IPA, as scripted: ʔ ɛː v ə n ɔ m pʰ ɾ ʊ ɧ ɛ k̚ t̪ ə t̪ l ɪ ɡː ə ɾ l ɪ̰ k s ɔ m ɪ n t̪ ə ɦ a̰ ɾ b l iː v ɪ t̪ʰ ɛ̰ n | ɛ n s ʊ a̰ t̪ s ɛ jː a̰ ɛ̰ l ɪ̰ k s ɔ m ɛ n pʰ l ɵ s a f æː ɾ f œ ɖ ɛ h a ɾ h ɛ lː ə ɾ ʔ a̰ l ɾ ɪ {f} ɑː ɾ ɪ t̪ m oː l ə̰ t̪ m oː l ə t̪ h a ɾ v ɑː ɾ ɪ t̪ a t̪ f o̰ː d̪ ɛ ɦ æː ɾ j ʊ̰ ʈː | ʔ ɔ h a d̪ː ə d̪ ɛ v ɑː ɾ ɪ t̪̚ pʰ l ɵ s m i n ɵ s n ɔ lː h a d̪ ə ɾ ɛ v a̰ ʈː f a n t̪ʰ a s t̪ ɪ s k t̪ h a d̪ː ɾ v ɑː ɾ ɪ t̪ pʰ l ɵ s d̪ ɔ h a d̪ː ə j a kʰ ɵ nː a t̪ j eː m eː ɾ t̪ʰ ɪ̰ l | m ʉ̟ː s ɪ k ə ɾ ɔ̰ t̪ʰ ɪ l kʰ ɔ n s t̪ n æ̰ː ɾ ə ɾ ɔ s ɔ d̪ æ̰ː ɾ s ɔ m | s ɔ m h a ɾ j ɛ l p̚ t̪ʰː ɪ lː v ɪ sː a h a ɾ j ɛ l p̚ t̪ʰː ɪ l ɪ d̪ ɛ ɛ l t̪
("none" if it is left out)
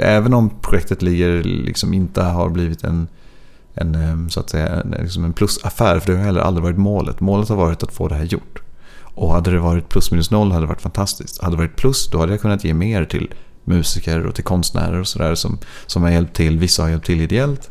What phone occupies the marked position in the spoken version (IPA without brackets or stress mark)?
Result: v